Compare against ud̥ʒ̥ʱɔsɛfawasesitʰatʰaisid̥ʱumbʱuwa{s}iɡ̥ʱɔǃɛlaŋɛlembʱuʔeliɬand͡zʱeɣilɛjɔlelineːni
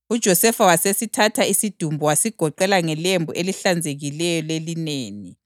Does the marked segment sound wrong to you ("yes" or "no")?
no